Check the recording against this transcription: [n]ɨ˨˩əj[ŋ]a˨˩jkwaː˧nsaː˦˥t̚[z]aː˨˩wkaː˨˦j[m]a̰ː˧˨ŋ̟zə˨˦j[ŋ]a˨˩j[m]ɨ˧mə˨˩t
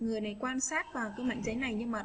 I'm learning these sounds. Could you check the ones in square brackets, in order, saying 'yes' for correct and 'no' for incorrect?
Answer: no, no, no, yes, no, no

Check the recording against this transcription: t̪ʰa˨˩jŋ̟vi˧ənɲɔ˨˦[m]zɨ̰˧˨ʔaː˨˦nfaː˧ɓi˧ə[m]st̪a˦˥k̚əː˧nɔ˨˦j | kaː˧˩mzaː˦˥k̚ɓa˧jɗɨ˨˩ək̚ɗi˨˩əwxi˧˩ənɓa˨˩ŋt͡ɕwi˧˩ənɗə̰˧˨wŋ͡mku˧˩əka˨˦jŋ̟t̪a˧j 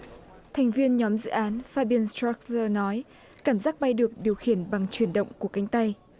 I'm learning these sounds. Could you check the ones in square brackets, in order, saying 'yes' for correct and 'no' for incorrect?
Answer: yes, no

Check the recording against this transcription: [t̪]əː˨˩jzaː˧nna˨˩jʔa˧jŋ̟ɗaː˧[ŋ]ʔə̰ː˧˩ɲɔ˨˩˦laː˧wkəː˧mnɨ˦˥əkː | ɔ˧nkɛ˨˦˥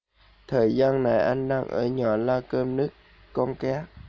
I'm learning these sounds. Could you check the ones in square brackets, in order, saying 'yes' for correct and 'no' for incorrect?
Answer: no, yes

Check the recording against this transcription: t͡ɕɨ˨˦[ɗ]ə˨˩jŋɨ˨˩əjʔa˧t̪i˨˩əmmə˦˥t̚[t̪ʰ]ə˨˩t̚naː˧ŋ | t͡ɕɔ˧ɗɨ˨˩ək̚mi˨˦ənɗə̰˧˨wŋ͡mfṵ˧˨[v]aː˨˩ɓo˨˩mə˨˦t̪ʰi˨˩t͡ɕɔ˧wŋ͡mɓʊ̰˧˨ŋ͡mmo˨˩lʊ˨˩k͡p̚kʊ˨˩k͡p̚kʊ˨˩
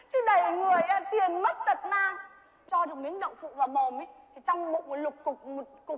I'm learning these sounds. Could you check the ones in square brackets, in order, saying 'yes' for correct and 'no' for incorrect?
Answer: yes, no, yes

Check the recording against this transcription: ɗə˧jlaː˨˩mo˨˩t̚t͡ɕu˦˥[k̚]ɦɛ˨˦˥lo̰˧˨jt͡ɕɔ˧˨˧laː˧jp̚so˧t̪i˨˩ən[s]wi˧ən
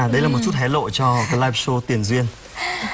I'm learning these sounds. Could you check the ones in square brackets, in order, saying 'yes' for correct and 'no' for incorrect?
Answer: no, no

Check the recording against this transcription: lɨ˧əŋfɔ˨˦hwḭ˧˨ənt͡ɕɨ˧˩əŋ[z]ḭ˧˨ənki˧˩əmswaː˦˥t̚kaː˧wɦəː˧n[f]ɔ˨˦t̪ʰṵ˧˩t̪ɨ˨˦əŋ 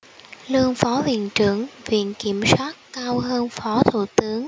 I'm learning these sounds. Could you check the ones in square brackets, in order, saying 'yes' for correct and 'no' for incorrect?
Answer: no, yes

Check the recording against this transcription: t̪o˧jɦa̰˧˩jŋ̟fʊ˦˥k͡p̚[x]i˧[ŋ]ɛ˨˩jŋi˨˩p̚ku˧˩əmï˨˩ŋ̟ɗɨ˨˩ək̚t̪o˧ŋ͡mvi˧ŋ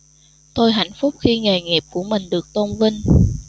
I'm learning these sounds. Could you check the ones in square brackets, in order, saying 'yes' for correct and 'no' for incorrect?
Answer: yes, yes

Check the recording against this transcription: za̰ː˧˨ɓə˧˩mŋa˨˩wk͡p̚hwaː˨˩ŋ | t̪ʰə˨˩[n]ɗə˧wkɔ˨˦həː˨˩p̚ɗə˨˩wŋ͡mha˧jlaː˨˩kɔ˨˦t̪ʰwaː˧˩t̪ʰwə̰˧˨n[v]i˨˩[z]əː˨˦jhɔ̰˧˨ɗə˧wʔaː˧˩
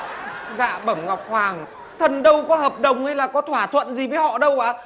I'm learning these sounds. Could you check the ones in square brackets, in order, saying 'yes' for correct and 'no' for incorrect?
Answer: yes, no, no

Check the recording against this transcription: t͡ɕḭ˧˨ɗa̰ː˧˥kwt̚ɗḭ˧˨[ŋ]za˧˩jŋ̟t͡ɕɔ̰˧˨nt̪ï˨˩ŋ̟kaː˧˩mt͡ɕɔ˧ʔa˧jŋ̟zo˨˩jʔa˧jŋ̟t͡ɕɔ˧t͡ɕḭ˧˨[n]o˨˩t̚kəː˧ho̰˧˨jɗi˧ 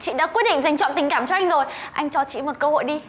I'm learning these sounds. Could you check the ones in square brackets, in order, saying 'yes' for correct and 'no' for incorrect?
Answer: yes, no

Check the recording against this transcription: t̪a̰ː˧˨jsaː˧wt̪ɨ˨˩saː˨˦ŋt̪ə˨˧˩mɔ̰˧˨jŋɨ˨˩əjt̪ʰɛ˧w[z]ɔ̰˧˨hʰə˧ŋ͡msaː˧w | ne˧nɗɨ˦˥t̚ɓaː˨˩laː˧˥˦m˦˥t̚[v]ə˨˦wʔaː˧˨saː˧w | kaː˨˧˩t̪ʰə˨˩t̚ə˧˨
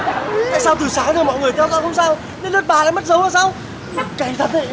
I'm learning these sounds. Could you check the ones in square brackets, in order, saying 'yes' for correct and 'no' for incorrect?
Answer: yes, no

